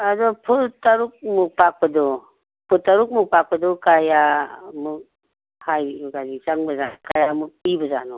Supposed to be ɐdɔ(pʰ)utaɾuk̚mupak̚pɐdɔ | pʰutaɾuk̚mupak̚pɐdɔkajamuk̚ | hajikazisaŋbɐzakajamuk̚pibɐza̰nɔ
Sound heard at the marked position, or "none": pʰ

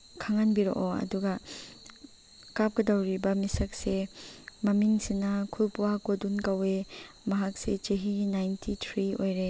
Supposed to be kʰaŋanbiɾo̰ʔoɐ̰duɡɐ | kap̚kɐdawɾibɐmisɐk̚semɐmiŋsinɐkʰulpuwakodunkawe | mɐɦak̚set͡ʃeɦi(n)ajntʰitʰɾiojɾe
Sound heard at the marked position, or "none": n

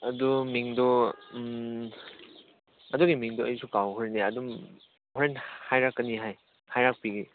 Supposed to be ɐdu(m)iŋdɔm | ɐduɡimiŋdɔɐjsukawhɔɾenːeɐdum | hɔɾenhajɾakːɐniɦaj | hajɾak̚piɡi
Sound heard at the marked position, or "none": m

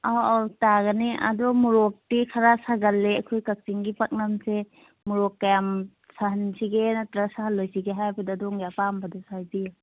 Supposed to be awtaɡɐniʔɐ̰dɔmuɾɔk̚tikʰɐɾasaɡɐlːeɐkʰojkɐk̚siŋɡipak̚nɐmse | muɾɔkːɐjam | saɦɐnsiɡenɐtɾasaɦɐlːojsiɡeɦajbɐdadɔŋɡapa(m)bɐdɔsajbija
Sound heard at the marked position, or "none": m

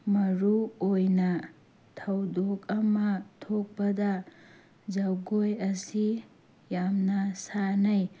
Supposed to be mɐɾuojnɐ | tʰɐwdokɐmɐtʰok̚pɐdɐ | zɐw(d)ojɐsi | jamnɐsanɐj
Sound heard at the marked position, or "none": ɡ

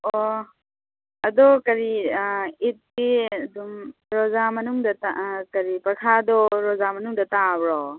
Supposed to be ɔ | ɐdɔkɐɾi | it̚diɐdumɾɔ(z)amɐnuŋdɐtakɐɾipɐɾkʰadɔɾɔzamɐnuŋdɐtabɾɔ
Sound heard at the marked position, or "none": z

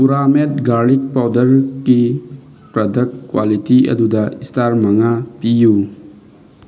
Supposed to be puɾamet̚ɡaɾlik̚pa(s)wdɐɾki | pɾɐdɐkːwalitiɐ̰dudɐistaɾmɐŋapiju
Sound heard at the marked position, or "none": none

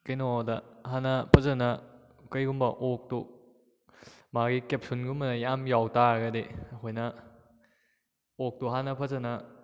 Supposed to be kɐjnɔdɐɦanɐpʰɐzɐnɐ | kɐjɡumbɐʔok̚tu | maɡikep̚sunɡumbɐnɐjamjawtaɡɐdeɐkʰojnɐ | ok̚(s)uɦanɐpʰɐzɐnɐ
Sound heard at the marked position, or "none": t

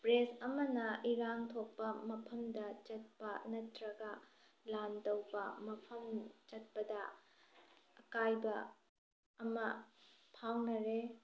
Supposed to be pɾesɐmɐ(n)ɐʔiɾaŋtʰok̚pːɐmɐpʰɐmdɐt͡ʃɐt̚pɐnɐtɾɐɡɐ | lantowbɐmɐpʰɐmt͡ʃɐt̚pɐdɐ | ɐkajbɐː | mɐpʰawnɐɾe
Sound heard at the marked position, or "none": n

